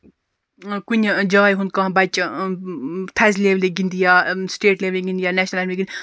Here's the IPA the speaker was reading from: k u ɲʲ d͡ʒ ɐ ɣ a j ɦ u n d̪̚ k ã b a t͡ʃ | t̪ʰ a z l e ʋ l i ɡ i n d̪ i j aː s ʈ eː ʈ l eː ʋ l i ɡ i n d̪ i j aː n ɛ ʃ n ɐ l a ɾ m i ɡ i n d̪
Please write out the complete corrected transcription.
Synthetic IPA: k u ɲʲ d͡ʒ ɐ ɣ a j ɦ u n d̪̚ k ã b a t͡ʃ | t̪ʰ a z l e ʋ l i ɡ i n d̪ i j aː s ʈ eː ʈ l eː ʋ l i ɡ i n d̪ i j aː n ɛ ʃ n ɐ l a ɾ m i ɡ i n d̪